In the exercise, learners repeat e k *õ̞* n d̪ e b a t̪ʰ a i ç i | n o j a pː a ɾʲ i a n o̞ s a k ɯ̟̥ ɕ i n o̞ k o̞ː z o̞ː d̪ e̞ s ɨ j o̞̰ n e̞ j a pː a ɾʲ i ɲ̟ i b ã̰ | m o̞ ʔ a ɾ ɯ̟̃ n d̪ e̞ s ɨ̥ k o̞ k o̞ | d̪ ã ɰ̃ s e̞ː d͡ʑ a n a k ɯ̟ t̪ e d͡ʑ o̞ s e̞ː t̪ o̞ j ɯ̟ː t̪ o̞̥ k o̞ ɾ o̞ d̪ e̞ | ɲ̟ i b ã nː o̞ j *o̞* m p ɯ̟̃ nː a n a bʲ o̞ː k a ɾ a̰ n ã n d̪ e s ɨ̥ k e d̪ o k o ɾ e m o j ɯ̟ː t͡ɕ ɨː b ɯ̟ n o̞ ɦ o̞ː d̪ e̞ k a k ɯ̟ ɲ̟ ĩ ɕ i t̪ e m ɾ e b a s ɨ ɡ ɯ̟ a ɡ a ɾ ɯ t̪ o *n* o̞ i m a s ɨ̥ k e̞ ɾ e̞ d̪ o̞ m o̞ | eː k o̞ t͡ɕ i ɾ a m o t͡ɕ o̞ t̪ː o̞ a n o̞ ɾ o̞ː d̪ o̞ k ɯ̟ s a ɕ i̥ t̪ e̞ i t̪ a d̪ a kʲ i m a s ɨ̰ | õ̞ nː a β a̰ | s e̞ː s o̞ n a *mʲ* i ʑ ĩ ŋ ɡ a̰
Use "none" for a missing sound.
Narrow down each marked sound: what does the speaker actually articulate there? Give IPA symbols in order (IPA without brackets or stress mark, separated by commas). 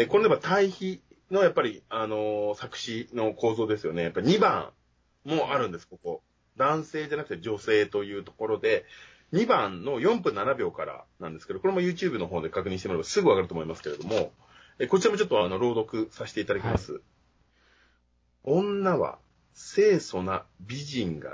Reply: o̞, õ̞, m, bʲ